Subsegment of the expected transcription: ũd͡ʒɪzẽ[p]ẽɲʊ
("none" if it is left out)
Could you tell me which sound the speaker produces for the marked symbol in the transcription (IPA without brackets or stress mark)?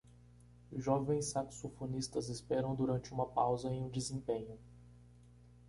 p